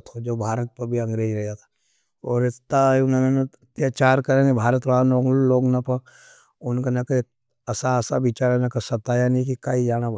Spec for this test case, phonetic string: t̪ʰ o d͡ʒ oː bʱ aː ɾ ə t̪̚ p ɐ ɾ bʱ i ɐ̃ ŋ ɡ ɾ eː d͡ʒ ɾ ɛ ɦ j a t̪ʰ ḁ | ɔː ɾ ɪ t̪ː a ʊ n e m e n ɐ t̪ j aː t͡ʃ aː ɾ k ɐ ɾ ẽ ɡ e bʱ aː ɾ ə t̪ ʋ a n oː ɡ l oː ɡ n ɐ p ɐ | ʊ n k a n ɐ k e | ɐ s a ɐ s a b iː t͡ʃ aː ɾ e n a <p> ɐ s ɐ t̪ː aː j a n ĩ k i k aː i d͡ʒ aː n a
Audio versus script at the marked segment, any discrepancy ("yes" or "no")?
yes